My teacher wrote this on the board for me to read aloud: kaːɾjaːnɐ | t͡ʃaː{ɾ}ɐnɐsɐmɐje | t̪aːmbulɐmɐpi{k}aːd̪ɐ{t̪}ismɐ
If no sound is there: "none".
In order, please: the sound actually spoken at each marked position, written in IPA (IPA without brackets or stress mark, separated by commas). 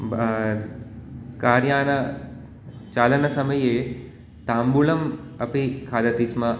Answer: l, kʰ, t̪